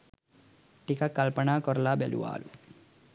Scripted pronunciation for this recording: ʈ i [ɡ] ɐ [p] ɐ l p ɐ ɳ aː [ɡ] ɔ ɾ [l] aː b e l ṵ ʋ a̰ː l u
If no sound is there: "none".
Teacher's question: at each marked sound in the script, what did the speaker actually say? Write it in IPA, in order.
k, k, k, l

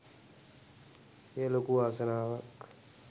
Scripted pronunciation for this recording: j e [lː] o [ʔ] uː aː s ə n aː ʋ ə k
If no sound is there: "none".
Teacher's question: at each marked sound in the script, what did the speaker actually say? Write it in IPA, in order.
l, k

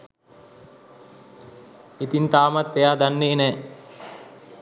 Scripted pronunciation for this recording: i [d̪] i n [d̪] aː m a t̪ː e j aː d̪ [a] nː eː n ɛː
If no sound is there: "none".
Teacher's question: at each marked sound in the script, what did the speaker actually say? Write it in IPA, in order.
t̪, t̪, a

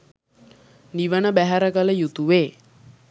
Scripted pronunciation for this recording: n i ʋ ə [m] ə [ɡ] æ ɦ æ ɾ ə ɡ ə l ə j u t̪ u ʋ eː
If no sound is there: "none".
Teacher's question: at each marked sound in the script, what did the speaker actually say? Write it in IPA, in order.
n, b

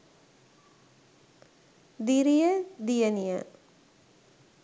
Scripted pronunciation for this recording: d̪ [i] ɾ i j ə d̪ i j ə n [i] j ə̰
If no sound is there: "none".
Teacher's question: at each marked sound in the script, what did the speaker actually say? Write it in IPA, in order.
i, i

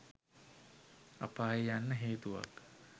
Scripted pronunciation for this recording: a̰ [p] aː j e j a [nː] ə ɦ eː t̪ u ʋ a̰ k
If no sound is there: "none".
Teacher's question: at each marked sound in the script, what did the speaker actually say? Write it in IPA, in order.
p, nː

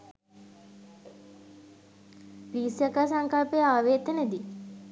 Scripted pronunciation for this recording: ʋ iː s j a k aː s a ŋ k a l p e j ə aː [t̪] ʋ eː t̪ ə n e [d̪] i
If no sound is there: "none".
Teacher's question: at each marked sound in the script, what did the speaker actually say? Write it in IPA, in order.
none, d̪

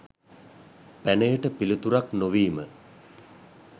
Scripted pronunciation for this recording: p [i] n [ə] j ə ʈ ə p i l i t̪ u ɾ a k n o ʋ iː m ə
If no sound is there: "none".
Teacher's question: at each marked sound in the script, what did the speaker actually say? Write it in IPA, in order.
æ, ə

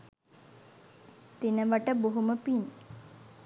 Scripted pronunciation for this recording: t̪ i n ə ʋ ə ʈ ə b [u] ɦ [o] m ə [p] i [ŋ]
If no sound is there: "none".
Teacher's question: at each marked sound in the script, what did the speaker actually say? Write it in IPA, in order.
o, u, p, n

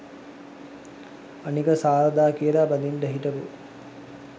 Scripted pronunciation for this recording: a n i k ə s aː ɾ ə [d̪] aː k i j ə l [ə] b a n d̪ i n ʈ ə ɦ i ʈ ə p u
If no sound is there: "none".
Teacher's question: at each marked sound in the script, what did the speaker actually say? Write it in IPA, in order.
d̪, a

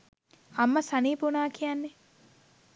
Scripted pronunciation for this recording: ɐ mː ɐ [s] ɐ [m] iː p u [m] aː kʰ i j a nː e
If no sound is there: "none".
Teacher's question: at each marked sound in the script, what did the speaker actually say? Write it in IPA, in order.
s, n, n

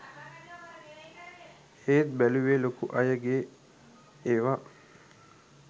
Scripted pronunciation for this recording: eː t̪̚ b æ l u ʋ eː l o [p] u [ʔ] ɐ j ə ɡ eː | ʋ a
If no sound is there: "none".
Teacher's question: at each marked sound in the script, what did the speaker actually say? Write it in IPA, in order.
k, ʔ

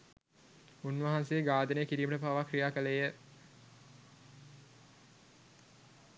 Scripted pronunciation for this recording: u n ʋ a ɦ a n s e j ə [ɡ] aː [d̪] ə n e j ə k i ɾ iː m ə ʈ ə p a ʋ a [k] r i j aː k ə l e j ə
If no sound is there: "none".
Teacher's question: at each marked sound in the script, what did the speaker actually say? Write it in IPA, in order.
ɡ, d̪, k

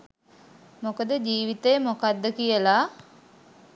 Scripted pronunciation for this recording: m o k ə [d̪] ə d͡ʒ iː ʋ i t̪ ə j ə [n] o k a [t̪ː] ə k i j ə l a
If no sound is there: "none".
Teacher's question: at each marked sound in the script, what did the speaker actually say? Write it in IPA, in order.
d̪, m, d̪ː

